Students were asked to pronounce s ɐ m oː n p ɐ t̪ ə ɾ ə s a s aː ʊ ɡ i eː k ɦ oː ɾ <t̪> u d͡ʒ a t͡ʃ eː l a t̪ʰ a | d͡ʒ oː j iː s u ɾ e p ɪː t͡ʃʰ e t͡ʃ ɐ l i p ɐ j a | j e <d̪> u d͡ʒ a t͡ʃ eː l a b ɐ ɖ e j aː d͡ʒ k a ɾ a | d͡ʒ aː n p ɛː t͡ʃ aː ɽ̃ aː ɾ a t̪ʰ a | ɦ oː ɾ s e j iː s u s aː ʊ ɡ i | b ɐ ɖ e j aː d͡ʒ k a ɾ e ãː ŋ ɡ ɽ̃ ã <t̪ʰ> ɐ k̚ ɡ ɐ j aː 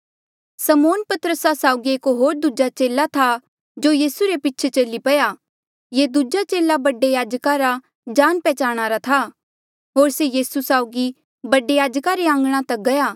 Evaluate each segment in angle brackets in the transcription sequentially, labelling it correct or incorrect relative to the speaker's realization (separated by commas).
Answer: incorrect, correct, incorrect